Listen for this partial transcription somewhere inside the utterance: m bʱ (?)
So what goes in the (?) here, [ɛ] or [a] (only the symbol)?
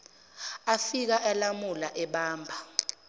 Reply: a